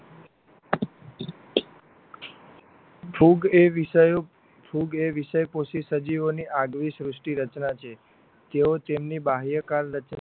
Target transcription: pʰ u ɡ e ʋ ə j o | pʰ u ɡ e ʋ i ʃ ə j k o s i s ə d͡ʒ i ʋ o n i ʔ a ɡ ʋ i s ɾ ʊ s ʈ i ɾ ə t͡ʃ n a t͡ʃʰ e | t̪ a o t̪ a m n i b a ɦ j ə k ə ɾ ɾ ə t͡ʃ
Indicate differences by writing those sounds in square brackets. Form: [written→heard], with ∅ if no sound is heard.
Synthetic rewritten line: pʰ u ɡ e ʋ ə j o | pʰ u ɡ e ʋ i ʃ ə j [k→p] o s i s ə d͡ʒ i ʋ o n i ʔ a ɡ ʋ i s ɾ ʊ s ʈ i ɾ ə t͡ʃ n a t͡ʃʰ e | t̪ [a→e] o t̪ [a→e] m n i b a ɦ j ə k [ə→a] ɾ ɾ ə t͡ʃ